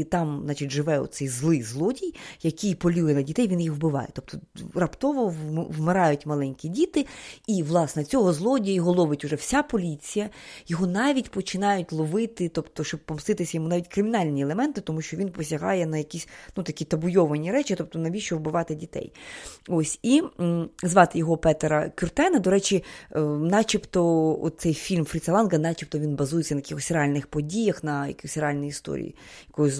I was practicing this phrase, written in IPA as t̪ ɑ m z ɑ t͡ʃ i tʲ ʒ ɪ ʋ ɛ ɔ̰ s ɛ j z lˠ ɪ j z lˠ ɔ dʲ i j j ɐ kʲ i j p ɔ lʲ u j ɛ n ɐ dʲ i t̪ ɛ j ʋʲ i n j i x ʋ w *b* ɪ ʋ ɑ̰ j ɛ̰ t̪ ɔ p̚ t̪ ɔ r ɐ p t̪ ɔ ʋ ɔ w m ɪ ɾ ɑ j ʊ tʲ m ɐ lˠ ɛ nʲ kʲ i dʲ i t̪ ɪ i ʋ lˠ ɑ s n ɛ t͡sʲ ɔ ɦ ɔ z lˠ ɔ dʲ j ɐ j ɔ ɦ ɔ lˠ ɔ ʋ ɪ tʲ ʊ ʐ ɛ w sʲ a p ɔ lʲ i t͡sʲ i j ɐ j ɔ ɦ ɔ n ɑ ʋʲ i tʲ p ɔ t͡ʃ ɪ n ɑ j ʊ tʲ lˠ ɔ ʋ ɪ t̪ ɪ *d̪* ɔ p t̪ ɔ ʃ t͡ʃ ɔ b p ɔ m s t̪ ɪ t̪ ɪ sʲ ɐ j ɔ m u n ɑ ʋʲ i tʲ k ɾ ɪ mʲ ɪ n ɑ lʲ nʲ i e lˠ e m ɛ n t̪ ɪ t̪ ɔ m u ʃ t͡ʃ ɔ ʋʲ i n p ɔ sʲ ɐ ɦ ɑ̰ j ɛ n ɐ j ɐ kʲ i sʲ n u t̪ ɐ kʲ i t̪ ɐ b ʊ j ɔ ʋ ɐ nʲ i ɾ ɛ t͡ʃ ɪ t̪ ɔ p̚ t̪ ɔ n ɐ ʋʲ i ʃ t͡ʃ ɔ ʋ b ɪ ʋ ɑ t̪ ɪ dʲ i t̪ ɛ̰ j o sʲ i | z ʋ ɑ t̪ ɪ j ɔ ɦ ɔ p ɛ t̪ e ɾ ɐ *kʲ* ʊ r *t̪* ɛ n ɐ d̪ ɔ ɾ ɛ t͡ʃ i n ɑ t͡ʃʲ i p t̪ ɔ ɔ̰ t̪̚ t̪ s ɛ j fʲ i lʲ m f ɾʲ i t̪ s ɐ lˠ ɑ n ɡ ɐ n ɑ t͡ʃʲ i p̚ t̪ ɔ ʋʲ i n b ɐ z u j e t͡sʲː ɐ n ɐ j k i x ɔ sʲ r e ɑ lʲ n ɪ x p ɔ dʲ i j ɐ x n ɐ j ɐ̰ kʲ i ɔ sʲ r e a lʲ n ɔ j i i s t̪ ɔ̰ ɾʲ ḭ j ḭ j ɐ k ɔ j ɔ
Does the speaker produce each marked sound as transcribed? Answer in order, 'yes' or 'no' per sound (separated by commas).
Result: yes, no, yes, yes